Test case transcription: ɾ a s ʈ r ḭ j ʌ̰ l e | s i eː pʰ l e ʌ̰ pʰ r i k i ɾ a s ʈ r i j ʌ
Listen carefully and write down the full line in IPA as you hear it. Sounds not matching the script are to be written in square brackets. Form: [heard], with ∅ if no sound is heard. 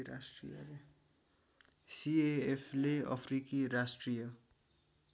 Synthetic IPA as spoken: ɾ a s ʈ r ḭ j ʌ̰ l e | s i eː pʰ l e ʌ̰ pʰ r i k i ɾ a s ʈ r i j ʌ